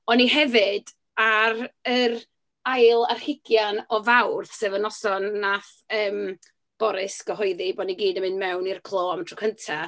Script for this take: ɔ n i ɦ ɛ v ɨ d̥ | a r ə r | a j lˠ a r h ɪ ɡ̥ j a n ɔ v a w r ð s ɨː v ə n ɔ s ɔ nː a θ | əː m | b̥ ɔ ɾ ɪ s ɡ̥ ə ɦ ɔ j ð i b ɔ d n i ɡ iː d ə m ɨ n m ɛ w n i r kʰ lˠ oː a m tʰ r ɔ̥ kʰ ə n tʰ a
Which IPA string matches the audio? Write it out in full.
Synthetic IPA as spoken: ɔ n i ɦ ɛ v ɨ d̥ | a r ə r | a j lˠ a r h ɪ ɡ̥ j a n ɔ v a w r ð s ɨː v ə n ɔ s ɔ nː a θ | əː m | b̥ ɔ ɾ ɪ s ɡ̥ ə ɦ ɔ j ð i b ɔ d n i ɡ iː d ə m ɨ n m ɛ w n i r kʰ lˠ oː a m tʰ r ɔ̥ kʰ ə n tʰ a